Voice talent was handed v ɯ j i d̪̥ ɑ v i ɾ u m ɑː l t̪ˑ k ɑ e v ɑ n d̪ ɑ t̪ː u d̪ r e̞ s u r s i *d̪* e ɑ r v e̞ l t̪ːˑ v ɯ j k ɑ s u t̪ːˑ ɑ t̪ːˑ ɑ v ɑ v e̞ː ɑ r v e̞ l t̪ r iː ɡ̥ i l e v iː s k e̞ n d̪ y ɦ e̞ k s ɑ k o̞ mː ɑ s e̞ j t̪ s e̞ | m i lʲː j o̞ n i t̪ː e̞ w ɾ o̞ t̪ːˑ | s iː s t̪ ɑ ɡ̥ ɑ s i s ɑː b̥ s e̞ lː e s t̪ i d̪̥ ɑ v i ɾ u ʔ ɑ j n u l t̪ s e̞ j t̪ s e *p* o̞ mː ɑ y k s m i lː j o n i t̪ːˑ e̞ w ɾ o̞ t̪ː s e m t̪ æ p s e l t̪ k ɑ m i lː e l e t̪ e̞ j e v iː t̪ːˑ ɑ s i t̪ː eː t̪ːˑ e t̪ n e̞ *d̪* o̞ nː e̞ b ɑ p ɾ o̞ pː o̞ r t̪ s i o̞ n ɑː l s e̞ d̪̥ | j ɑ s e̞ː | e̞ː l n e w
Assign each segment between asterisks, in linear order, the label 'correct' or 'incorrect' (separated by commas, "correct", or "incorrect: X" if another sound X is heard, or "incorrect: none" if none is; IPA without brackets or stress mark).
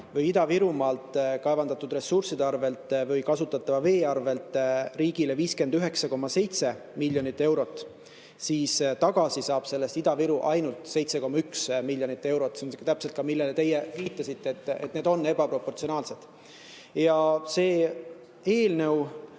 correct, incorrect: k, correct